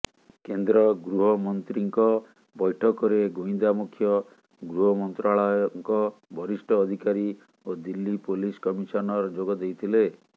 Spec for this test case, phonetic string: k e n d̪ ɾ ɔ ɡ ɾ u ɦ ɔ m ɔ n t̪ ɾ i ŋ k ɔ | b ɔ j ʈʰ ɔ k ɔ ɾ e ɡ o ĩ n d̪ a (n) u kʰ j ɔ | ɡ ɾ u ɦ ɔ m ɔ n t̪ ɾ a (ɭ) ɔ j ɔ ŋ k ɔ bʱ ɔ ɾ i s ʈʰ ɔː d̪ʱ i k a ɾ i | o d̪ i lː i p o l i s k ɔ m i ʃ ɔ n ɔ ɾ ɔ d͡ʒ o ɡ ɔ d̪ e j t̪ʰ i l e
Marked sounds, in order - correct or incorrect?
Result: incorrect: m, correct

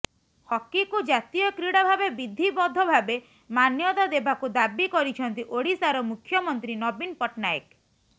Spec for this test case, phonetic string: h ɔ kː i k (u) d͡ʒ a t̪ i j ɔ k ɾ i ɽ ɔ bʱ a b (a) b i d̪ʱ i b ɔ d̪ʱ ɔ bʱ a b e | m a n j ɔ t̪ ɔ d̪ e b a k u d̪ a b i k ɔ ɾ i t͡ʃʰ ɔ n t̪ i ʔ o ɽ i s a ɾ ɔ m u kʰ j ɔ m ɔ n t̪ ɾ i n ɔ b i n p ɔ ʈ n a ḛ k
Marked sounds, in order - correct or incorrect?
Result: correct, incorrect: e

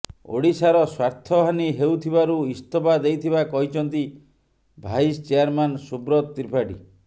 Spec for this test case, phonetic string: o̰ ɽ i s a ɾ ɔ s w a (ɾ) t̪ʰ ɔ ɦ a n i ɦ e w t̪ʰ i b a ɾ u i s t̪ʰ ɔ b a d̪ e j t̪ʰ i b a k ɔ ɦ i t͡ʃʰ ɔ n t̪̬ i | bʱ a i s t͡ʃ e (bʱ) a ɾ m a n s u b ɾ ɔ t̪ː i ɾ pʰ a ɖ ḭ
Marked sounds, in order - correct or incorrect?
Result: correct, incorrect: none

